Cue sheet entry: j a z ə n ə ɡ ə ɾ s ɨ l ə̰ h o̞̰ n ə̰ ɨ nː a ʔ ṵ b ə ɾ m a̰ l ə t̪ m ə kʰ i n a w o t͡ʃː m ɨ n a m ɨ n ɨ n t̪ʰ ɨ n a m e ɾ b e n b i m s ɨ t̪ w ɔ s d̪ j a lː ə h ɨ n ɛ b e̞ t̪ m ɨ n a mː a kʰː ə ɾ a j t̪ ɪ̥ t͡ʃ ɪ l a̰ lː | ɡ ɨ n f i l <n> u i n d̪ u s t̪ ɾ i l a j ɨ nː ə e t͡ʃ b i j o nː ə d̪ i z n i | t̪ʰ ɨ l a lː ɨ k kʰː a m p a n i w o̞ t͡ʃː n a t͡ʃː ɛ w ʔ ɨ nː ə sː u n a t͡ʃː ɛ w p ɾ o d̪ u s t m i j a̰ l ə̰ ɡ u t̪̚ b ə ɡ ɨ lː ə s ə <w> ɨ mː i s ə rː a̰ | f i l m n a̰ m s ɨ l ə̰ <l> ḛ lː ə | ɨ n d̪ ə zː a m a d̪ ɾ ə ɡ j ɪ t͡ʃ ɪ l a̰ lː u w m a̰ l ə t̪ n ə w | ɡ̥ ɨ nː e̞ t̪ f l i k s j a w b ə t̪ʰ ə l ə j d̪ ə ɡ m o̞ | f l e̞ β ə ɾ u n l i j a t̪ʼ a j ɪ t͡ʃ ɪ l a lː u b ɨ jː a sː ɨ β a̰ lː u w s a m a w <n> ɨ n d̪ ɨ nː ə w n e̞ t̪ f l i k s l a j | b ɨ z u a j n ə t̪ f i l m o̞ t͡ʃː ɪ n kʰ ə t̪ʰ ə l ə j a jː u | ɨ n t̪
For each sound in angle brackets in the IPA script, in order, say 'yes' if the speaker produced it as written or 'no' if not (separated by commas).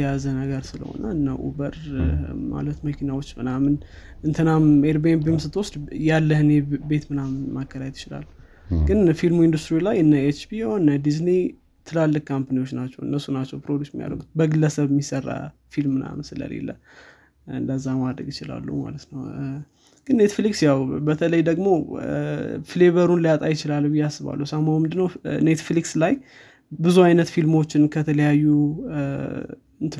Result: no, no, yes, no